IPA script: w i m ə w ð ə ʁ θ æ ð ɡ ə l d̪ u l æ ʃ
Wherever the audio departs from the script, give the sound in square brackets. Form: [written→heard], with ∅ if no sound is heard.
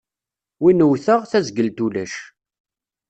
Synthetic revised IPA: w i [m→n] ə w [ð→θ] ə ʁ θ æ [ð→z] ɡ ə l [d̪→t̪] u l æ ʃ